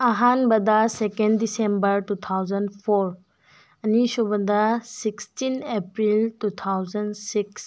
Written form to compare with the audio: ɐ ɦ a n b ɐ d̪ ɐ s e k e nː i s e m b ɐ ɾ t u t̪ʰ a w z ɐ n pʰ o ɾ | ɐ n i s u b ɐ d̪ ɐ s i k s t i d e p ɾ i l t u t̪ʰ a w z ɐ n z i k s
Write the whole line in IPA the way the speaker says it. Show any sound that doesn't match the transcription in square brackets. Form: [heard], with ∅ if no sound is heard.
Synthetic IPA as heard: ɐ ɦ a n b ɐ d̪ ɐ s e k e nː i s e m b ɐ ɾ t u t̪ʰ a w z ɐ n pʰ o ɾ | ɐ n i s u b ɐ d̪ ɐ s i k s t i [n] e p ɾ i l t u t̪ʰ a w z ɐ n [s] i k s